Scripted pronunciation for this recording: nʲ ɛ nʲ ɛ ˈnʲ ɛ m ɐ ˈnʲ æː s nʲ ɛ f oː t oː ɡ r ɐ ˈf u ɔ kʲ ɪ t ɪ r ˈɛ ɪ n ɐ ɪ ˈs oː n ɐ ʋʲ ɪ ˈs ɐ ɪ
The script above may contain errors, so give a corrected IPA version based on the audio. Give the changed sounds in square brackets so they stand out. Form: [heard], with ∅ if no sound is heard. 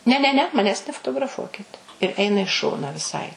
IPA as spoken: nʲ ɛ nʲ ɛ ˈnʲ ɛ m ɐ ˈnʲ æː s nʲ ɛ f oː t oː ɡ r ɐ ˈf u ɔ kʲ ɪ t ɪ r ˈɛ ɪ n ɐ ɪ [ˈʃ] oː n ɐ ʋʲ ɪ ˈs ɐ ɪ